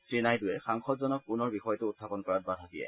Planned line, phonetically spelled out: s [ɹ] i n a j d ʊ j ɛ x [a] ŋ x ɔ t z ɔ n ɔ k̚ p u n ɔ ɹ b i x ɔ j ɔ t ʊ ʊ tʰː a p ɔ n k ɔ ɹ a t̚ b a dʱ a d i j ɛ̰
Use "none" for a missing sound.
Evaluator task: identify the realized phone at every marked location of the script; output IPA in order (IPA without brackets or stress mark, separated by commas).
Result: ɹ, a